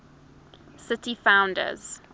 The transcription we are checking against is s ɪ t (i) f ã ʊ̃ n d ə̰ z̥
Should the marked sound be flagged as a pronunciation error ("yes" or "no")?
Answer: no